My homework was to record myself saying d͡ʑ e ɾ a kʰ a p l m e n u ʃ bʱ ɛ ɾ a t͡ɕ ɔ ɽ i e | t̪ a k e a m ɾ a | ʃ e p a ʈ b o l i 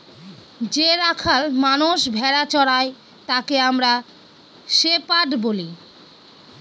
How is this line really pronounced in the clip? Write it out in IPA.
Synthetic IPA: d͡ʑ e ɾ a kʰ a l m a n u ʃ bʱ ɛ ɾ a t͡ɕ ɔ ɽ a e | t̪ a k e a m ɾ a | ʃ e p a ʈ b o l i

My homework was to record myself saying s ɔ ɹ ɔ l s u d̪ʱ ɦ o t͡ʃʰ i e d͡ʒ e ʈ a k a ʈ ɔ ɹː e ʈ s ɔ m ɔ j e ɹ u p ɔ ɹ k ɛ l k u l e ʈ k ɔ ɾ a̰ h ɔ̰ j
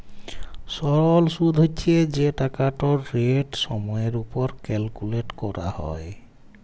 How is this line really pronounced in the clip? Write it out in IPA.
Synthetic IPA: s ɔ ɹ ɔ l s u d̪ʱ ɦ o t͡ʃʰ i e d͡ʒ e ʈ a k a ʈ ɔ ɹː e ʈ s ɔ m ɔ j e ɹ u p ɔ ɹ k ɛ l k u l e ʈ k ɔ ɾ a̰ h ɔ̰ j

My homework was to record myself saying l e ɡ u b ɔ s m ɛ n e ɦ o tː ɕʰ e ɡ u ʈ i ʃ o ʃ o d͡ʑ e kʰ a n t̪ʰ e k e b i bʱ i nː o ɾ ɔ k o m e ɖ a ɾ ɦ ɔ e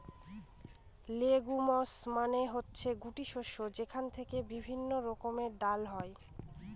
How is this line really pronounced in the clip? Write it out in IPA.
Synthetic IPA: l e ɡ u m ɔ s m a n e ɦ o tː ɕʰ e ɡ u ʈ i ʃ o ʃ o d͡ʑ e kʰ a n t̪ʰ e k e b i bʱ i nː o ɾ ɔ k o m e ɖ a l ɦ ɔ e

